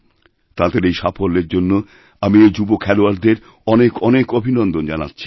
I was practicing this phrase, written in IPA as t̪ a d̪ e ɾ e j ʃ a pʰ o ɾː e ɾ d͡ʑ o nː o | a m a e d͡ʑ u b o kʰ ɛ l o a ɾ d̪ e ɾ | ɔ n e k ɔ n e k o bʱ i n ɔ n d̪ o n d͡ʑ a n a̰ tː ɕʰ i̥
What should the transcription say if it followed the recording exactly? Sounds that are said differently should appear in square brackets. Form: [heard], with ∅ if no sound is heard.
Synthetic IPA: t̪ a d̪ e ɾ e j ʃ a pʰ o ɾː e ɾ d͡ʑ o nː o | a m [i] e d͡ʑ u b o kʰ ɛ l o a ɾ d̪ e ɾ | ɔ n e k ɔ n e k o bʱ i n ɔ n d̪ o n d͡ʑ a n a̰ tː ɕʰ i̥